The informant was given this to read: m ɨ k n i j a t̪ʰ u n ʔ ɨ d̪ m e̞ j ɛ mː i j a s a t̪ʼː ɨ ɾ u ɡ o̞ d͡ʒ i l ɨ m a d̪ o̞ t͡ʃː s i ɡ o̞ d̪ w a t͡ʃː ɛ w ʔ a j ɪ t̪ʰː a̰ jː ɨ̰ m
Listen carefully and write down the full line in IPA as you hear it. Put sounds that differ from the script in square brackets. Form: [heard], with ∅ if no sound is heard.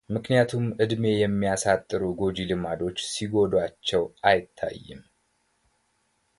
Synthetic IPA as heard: m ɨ k n i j a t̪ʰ u [m] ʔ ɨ d̪ m e̞ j ɛ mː i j a s a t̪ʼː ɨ ɾ u ɡ o̞ d͡ʒ i l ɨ m a d̪ o̞ t͡ʃː s i ɡ o̞ d̪ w a t͡ʃː ɛ w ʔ a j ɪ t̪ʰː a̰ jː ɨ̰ m